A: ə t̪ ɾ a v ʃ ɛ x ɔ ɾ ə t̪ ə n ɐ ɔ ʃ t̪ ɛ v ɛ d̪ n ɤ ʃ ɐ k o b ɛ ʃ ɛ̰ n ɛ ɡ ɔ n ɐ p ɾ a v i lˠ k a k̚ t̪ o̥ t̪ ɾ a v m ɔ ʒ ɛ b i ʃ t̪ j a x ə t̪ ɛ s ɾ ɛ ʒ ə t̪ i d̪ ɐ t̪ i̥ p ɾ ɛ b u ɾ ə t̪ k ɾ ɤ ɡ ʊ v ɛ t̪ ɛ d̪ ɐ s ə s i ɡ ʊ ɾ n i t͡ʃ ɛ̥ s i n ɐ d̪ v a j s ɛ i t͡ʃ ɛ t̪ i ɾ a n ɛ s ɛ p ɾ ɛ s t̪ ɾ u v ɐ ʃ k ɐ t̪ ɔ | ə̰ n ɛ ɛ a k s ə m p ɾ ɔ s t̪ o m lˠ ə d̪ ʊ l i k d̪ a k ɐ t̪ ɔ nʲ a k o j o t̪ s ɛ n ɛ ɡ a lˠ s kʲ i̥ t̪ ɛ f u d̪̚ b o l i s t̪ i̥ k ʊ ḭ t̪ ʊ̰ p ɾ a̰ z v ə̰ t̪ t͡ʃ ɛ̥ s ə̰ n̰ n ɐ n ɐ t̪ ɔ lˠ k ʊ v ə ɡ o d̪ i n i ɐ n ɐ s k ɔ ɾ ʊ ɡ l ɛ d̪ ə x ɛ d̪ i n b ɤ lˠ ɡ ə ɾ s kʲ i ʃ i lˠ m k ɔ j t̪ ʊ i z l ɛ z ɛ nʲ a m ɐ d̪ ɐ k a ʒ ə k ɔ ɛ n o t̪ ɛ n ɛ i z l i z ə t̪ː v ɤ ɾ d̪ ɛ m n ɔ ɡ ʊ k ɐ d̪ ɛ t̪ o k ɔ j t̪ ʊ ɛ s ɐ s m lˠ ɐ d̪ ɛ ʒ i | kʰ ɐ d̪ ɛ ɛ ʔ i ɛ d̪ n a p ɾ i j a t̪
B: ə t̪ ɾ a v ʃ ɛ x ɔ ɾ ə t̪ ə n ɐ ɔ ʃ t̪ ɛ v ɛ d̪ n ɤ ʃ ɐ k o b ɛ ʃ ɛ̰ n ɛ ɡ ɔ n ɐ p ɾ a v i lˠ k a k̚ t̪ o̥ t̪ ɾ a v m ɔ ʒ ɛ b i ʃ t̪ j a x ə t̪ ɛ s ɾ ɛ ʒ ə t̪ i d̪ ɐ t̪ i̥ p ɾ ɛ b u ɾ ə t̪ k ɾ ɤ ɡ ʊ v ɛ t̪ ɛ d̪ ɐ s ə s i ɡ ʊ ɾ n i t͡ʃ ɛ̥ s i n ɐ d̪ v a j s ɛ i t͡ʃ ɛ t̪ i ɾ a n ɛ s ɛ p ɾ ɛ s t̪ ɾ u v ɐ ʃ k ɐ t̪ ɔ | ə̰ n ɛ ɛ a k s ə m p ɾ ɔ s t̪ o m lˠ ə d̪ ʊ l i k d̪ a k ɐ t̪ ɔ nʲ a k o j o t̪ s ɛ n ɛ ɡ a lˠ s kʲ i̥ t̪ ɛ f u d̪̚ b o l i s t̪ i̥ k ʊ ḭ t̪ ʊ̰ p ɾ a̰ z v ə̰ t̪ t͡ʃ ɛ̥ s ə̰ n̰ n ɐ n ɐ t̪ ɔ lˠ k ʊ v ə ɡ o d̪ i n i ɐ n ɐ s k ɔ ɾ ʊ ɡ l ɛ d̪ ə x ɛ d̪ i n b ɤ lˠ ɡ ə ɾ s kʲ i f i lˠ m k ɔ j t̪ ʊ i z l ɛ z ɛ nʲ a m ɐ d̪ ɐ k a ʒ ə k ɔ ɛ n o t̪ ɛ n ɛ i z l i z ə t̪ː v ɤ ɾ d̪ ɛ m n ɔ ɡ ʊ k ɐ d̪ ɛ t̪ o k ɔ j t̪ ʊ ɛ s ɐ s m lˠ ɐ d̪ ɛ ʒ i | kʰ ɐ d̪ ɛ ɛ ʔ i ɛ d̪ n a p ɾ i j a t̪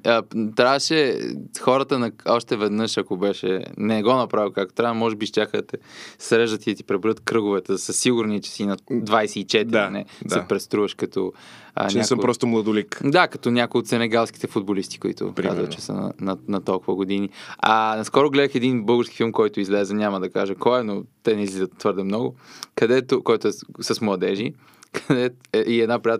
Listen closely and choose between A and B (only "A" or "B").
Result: B